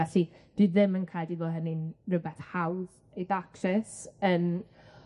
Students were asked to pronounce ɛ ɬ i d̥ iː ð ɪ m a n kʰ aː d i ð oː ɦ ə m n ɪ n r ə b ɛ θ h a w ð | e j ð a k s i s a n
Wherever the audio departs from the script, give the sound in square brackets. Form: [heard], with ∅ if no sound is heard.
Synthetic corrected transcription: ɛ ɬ i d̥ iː ð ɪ m [ə] n kʰ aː d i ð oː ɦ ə [∅] n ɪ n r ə b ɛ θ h a w ð | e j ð a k s [ɛ] s [ə] n